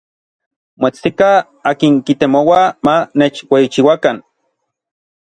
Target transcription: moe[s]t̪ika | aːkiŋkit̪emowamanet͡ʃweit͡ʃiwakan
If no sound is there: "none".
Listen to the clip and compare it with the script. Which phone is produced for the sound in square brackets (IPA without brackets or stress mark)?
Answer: t͡s